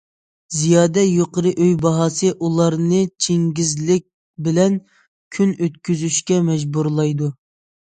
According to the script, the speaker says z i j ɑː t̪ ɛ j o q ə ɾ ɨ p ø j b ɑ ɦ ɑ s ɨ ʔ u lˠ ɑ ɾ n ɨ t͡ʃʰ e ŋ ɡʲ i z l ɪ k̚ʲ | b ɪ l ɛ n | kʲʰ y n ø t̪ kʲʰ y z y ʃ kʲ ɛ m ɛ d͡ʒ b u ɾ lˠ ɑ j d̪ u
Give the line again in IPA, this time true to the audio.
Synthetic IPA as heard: z i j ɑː d̪ ɛ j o q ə ɾ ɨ ʔ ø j b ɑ ɦ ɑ s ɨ ʔ u lˠ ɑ ɾ n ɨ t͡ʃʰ e ŋ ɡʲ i z l ɪ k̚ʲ | b ɪ l ɛ n | kʲʰ y n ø t̪ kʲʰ y z y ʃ kʲ ɛ m ɛ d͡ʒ b u ɾ lˠ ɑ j d̪ u